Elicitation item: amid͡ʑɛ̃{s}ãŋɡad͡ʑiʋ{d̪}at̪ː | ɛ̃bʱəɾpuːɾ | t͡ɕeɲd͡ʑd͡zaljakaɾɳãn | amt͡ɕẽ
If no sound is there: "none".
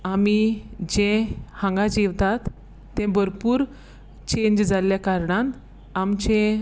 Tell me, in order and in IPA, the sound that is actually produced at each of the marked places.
h, t̪

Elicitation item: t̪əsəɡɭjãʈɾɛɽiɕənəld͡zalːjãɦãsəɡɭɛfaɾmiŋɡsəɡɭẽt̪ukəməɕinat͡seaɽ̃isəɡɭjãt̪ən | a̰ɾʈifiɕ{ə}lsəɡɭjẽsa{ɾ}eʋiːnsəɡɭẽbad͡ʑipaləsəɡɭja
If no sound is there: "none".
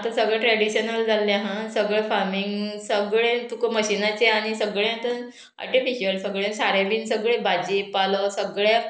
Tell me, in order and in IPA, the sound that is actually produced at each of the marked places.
ə, ɾ

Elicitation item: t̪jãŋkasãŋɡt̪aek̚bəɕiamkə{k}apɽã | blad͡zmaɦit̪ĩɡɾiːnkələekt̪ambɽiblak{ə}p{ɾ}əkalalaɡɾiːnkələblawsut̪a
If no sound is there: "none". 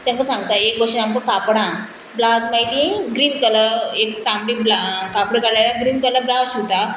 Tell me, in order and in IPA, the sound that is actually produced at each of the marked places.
k, a, ɽ

